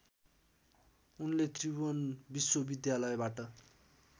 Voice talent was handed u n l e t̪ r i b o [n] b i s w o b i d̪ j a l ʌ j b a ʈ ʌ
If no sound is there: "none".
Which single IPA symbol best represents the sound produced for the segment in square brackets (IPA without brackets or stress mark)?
n